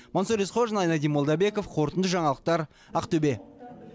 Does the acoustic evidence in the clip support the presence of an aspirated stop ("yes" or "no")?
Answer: yes